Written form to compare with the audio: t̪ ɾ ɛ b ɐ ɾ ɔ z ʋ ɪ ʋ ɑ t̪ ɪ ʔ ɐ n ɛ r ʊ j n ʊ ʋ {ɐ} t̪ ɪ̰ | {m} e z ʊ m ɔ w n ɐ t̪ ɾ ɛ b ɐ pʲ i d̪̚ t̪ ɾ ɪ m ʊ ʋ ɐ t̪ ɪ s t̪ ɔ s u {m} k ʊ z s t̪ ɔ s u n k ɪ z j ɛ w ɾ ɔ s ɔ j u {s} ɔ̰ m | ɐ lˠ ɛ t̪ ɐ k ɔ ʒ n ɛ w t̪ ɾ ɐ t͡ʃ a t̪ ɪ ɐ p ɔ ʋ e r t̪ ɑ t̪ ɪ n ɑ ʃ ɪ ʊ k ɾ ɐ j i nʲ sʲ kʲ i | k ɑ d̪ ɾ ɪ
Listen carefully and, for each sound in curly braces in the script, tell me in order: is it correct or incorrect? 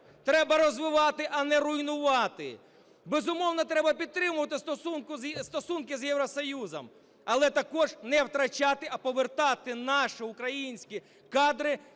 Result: incorrect: ɑ, incorrect: b, incorrect: n, incorrect: z

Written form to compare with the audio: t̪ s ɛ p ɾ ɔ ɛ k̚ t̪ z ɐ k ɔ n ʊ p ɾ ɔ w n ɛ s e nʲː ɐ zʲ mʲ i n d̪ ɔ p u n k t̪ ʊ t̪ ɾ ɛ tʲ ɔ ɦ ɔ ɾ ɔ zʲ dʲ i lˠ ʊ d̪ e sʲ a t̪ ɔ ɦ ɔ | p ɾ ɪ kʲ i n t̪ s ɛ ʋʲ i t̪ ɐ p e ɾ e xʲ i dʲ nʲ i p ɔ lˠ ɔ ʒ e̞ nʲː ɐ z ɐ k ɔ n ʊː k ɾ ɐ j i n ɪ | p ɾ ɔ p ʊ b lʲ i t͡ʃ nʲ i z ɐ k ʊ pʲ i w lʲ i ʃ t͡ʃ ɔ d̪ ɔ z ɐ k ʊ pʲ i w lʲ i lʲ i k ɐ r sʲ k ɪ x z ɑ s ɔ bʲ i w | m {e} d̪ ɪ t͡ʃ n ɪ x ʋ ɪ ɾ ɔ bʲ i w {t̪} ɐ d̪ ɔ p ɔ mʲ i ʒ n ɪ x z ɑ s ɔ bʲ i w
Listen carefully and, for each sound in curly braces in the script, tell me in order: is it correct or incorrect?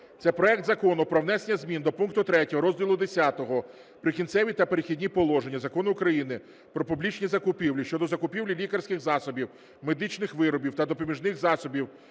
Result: correct, correct

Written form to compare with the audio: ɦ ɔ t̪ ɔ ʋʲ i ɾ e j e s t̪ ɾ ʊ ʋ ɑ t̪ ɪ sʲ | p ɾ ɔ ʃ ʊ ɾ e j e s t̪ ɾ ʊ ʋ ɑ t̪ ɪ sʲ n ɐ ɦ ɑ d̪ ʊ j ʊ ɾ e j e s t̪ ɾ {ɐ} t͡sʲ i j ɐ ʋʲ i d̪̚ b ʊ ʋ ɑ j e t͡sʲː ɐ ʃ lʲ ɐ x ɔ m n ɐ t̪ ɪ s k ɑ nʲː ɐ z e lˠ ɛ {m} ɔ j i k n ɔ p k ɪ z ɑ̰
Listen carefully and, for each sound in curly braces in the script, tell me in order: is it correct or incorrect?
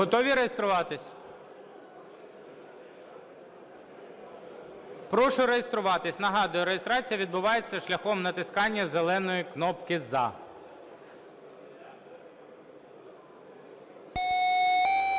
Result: incorrect: ɑ, incorrect: n

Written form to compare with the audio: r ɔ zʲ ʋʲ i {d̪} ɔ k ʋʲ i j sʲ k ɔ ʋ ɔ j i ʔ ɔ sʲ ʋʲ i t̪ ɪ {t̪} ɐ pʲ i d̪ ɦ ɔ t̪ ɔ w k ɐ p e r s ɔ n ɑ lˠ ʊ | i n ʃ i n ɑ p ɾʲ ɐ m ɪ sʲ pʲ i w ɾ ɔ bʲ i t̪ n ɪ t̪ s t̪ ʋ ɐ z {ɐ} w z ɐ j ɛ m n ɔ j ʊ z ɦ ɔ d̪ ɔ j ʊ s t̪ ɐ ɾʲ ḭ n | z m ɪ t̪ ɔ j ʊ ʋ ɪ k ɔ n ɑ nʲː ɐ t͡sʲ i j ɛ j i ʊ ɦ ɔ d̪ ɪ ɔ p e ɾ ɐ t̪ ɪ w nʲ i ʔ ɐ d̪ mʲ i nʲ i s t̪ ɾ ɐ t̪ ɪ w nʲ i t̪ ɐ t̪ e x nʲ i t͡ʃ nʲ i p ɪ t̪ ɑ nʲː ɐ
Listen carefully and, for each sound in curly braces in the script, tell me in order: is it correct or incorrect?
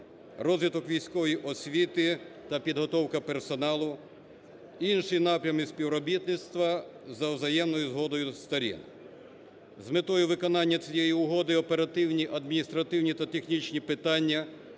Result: incorrect: t̪, correct, correct

